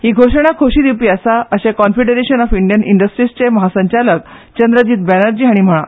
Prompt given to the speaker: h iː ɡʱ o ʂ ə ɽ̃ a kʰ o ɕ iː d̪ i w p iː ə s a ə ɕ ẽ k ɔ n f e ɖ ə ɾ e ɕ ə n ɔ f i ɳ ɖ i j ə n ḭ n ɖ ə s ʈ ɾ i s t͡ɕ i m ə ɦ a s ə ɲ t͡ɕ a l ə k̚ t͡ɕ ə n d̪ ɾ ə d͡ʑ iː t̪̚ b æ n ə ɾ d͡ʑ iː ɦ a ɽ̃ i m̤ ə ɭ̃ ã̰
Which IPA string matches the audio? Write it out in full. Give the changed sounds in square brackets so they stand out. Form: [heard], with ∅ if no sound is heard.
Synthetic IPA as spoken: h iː ɡʱ o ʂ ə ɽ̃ a kʰ o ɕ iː d̪ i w p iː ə s a ə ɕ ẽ k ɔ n f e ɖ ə ɾ e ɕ ə n ɔ f i ɳ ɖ i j ə n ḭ [ɳ] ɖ ə s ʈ ɾ i s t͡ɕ [e] m ə ɦ a s ə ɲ t͡ɕ a l ə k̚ t͡ɕ ə n d̪ ɾ ə d͡ʑ iː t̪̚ b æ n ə ɾ d͡ʑ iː ɦ a ɽ̃ i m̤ ə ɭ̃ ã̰